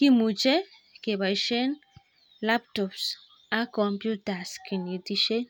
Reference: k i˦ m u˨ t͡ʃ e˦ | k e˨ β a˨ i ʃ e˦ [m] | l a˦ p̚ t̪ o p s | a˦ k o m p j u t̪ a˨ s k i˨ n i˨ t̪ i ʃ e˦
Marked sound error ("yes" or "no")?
yes